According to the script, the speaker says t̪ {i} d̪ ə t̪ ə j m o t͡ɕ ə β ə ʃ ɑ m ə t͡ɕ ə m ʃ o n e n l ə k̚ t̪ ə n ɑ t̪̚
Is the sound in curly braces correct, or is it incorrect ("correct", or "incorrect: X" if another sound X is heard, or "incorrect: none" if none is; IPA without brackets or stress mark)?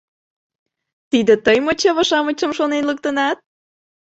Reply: correct